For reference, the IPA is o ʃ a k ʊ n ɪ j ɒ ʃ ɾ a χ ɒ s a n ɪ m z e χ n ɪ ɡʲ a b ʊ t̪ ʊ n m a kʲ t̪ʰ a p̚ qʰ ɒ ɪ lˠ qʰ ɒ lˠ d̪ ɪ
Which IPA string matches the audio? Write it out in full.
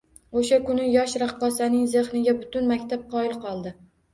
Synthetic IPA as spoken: o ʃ a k ʊ n ɪ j ɒ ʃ ɾ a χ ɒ s a n ɪ ŋ z e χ n ɪ ɡʲ a b ʊ t̪ ʊ n m a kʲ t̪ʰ a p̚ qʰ ɒ ɪ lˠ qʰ ɒ lˠ d̪ ɪ